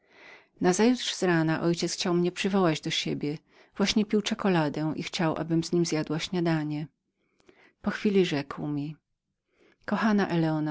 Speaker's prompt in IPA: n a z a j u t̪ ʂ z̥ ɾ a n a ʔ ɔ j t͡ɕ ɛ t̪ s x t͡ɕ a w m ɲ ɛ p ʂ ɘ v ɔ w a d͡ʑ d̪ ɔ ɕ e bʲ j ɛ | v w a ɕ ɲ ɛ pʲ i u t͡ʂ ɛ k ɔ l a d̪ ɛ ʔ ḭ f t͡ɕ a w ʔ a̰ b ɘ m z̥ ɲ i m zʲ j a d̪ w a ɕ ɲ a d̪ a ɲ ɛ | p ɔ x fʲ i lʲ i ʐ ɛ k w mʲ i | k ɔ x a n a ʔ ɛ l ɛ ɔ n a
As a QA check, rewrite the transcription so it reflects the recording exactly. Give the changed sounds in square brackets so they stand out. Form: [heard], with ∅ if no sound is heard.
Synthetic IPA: n a z a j u t̪ ʂ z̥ ɾ a n a ʔ ɔ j t͡ɕ ɛ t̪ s x t͡ɕ a w m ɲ ɛ p ʂ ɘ v ɔ w a d͡ʑ d̪ ɔ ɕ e bʲ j ɛ | v w a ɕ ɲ ɛ pʲ i [w] t͡ʂ ɛ k ɔ l a d̪ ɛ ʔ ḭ [x] t͡ɕ a w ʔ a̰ b ɘ m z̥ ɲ i m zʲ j a d̪ w a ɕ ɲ a d̪ a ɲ ɛ | p ɔ x fʲ i lʲ i ʐ ɛ k w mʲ i | k ɔ x a n a ʔ ɛ l ɛ ɔ n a